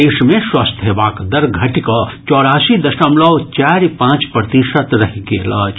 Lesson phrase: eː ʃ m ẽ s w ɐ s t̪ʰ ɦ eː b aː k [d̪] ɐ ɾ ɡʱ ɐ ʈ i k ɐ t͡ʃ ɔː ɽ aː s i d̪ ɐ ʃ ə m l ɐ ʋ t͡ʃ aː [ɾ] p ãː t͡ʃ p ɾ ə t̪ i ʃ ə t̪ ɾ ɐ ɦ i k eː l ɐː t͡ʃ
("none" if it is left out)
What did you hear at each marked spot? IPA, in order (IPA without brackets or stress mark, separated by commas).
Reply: d̪, ɾ